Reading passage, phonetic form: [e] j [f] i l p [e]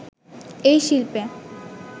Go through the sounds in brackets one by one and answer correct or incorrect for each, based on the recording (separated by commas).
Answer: correct, incorrect, correct